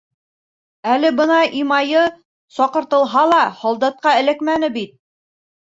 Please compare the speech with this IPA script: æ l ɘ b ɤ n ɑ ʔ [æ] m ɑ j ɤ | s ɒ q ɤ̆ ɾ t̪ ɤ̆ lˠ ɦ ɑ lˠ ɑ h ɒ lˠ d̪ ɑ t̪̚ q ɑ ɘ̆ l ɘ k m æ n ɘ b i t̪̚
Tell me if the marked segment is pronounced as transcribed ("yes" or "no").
no